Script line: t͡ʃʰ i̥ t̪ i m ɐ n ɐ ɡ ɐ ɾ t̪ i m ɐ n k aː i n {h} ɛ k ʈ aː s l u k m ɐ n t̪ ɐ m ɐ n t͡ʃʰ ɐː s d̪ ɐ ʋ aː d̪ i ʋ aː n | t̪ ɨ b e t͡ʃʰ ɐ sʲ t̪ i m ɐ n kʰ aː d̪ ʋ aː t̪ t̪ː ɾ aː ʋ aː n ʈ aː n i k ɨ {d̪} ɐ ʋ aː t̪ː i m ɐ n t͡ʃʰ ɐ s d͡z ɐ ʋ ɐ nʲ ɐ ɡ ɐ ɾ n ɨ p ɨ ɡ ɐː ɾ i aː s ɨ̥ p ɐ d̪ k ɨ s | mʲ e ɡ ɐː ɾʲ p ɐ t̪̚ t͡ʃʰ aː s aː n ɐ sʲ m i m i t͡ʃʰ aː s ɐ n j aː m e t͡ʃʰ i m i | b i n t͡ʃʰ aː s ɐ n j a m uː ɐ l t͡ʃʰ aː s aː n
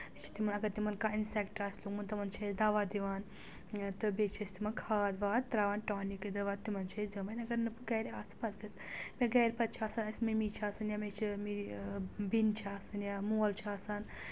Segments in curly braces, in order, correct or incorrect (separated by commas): incorrect, correct